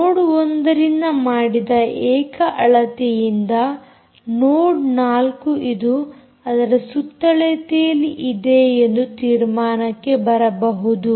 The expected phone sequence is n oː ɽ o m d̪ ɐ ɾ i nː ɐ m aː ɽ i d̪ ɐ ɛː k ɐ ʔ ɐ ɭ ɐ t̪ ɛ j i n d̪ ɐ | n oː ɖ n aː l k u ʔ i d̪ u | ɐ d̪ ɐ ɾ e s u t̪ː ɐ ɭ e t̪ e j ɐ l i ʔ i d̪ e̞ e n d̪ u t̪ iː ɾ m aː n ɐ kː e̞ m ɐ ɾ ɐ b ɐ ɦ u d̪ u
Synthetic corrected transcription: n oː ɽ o n d̪ ɐ ɾ i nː ɐ m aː ɽ i d̪ ɐ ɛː k ɐ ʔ ɐ ɭ ɐ t̪ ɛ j i n d̪ ɐ | n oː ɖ n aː l k u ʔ i d̪ u | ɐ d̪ ɐ ɾ e s u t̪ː ɐ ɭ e t̪ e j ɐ l i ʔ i d̪ e̞ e n d̪ u t̪ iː ɾ m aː n ɐ kː e̞ b ɐ ɾ ɐ b ɐ ɦ u d̪ u